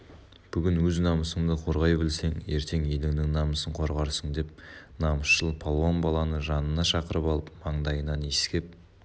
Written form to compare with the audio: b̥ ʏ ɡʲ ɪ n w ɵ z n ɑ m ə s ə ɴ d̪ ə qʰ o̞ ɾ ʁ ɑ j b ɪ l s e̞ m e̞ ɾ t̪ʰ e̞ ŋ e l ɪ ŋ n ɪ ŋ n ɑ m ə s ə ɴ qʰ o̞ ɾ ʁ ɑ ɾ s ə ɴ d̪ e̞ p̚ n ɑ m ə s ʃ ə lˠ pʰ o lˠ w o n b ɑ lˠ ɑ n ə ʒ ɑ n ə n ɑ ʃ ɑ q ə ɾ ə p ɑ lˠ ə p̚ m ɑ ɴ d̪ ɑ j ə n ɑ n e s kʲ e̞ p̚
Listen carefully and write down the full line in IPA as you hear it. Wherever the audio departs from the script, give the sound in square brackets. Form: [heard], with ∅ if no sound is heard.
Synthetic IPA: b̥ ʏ ɡʲ ɪ n w ɵ z n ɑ m ə s ə ɴ d̪ ə qʰ o̞ ɾ ʁ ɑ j b ɪ l s e̞ [ŋ] e̞ ɾ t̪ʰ e̞ ŋ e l ɪ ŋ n ɪ ŋ n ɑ m ə s ə ɴ qʰ o̞ ɾ ʁ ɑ ɾ s ə ɴ d̪ e̞ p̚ n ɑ m ə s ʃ ə lˠ pʰ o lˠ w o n b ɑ lˠ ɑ n ə ʒ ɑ n ə n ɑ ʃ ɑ q ə ɾ ə p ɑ lˠ ə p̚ m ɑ ɴ d̪ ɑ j ə n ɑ n e s kʲ e̞ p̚